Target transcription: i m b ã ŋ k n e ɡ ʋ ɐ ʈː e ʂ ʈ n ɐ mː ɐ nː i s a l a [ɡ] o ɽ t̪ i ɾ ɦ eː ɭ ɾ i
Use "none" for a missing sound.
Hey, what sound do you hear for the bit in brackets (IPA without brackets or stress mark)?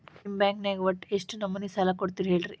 k